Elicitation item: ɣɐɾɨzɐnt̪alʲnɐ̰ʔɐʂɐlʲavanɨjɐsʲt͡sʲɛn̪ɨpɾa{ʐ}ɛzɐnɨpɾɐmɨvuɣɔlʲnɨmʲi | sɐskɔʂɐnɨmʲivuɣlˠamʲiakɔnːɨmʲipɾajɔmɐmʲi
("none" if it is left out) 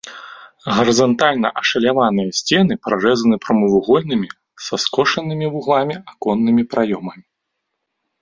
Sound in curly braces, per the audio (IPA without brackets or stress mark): ʐ